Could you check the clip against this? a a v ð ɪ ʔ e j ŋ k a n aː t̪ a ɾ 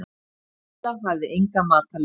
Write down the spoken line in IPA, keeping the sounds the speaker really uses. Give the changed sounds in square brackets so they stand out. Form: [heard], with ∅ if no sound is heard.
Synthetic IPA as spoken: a a v ð ɪ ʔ e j ŋ k a [m] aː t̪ a [l]